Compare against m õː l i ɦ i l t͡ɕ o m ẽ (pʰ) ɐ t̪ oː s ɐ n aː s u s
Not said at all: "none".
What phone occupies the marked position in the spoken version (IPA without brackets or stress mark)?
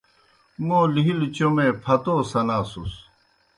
pʰ